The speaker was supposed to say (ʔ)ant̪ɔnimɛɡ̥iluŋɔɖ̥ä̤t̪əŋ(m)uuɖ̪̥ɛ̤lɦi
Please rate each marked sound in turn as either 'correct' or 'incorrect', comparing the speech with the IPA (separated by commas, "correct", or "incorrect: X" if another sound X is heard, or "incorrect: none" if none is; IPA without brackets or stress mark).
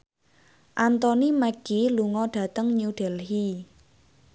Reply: correct, incorrect: ɲ